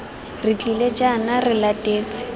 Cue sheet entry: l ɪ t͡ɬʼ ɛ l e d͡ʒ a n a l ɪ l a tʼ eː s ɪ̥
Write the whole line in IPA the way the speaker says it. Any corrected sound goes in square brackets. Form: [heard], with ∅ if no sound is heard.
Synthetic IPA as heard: [r] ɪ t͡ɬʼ [i] l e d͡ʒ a n a [r] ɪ l a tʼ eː [t͡s] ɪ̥